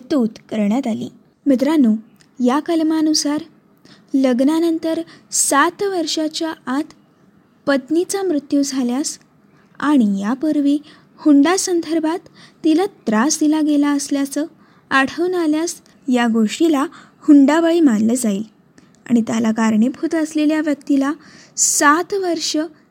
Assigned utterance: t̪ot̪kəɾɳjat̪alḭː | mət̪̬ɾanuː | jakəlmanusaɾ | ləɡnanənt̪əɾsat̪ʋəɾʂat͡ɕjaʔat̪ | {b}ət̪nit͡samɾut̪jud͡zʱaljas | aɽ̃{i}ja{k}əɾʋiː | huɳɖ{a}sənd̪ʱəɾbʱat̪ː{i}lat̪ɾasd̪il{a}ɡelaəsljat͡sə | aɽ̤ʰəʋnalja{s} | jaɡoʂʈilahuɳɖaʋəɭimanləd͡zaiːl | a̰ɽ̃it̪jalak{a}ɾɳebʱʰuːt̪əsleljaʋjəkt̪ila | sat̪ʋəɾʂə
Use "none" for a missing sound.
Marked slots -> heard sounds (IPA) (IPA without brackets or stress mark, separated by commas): p, i, p, a, i, a, s, a